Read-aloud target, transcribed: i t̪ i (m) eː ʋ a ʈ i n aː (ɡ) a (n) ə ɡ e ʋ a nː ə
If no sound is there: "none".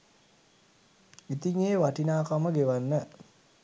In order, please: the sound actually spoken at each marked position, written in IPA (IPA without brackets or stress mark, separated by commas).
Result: ŋ, k, m